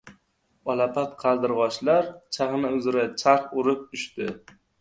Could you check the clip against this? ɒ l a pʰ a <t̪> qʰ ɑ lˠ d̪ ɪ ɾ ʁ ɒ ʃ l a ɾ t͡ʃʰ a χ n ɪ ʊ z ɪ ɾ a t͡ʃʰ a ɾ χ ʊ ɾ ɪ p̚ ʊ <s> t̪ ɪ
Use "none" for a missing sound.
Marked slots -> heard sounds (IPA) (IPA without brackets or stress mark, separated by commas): t̪, ʃ